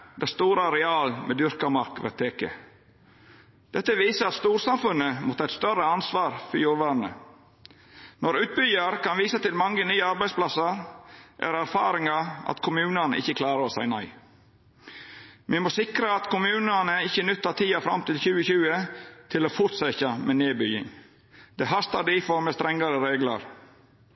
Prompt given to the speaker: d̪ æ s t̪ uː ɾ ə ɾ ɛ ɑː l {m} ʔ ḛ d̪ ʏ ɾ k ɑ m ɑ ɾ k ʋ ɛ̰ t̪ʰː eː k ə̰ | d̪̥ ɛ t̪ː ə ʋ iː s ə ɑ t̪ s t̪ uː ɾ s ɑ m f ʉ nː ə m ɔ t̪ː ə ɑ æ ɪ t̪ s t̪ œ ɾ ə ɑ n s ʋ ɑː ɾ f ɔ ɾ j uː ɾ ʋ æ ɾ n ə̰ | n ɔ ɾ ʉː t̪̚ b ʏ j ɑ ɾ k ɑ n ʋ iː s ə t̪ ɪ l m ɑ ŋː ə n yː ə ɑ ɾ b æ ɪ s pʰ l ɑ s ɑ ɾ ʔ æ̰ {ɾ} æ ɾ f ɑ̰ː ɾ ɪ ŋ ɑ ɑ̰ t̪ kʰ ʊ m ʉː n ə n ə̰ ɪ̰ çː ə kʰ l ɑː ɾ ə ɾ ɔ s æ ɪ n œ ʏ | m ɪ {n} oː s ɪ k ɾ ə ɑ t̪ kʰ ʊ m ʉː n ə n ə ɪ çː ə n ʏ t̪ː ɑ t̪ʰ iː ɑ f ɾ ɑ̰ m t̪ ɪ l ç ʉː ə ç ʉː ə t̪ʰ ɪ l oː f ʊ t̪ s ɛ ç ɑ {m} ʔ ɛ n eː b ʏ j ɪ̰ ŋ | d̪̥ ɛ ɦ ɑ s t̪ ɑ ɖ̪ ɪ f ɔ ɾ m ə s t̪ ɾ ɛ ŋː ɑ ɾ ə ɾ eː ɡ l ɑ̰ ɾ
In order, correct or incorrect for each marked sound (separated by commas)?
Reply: correct, correct, incorrect, correct